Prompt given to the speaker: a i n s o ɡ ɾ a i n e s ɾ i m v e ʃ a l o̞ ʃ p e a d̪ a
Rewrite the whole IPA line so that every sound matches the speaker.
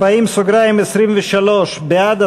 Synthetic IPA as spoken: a i m s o ɡ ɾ a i m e s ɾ i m v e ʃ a l o̞ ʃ b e a d̪ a